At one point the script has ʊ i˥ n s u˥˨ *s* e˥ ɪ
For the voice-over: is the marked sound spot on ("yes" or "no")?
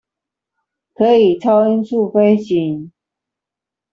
no